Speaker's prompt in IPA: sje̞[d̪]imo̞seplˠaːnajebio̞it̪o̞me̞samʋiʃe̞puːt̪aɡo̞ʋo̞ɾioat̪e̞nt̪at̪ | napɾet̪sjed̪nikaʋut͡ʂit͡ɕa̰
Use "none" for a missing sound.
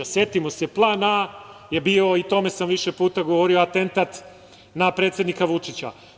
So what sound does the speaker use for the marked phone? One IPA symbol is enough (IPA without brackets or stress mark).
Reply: t̪